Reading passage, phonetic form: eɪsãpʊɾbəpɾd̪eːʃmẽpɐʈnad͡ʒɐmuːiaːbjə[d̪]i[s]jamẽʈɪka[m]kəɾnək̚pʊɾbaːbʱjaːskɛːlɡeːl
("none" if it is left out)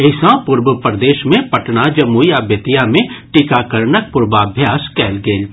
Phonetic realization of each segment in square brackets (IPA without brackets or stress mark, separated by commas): t̪, none, none